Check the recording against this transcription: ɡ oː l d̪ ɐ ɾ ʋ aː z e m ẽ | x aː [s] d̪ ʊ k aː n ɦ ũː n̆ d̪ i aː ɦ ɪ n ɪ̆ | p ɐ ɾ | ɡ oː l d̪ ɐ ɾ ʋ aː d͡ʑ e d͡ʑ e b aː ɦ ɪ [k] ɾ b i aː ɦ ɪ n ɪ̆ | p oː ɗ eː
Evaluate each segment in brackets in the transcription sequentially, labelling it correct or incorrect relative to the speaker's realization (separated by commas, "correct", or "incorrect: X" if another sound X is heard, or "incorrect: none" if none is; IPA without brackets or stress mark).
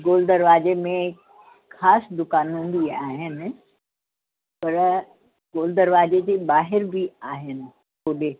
correct, incorrect: none